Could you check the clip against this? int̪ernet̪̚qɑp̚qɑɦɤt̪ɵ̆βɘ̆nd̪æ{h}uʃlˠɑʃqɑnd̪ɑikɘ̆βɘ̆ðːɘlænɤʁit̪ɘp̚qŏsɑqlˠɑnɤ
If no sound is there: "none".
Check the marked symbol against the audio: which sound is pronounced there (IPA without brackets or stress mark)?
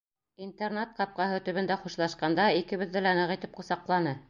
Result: χ